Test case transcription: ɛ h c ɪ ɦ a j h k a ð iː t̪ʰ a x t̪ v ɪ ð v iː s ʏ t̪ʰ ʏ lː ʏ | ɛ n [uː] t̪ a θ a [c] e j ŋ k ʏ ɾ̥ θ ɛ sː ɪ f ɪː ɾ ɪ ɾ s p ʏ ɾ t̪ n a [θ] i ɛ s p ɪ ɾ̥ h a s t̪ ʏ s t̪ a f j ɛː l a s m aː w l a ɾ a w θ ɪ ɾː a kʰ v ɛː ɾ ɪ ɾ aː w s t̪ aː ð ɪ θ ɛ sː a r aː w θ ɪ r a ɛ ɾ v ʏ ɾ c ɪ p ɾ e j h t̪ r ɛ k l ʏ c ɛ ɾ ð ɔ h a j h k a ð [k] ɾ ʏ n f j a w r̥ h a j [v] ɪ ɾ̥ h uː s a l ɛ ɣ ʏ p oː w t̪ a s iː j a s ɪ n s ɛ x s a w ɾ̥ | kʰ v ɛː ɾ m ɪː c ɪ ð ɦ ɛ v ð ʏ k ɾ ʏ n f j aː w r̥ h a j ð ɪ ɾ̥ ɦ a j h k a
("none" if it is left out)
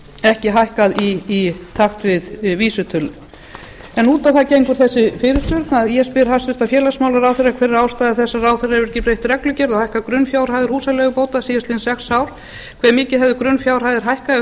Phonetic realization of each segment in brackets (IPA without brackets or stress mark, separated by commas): uː, c, ð, k, ð